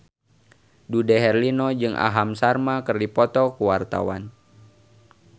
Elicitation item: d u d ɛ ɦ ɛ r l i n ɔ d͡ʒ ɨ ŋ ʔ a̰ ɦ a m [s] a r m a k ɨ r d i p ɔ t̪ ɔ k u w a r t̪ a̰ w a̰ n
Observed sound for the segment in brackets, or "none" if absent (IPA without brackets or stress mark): s